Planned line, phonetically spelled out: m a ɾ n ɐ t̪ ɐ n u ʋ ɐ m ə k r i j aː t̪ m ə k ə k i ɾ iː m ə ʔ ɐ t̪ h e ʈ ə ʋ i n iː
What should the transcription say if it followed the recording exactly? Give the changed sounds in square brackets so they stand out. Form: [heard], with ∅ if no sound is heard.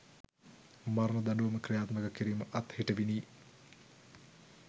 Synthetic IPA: m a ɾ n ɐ [d̪] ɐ n u ʋ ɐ m ə k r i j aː t̪ m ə k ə k i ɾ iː m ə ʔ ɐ t̪ h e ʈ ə ʋ i n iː